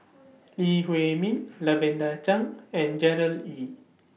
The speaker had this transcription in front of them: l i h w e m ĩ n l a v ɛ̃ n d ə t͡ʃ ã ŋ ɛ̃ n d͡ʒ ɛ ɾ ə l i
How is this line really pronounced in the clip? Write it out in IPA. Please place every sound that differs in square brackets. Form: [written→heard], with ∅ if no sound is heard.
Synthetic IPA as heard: l i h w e m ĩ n l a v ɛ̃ n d [ə→a] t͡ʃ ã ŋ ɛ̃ n d͡ʒ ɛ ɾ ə l i